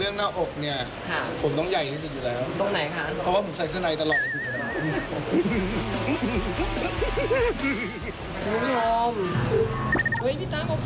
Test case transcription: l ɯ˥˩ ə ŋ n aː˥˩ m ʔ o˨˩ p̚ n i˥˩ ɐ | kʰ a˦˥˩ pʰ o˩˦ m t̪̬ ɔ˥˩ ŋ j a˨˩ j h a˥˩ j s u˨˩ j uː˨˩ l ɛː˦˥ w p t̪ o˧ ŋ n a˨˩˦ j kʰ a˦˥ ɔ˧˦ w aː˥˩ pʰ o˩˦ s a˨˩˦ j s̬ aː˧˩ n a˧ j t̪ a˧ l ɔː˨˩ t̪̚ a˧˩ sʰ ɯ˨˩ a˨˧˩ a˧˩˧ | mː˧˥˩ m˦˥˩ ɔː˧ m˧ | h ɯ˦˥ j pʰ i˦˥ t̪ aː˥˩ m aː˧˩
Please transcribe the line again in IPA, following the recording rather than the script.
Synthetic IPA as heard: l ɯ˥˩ ə ŋ n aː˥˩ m ʔ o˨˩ k̚ n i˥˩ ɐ | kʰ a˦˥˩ pʰ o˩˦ m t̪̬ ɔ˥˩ ŋ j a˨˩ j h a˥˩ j s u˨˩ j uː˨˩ l ɛː˦˥ w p t̪ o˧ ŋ n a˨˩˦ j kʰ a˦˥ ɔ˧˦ w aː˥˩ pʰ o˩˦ s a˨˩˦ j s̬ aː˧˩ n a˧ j t̪ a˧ l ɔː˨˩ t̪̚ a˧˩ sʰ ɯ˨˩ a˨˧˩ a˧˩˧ | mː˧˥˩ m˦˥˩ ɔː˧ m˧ | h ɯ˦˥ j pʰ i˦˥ t̪ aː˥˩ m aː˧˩